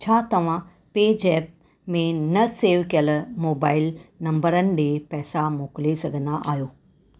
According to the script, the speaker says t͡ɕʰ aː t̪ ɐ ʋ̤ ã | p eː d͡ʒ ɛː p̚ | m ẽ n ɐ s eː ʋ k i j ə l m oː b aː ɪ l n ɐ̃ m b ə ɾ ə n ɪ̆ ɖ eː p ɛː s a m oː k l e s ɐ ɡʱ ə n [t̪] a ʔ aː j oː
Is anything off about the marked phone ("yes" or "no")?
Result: yes